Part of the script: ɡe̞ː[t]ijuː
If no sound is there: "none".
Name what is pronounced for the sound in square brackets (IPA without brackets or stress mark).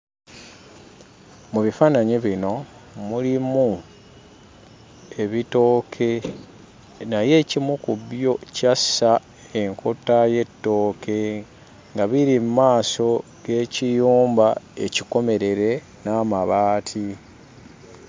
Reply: c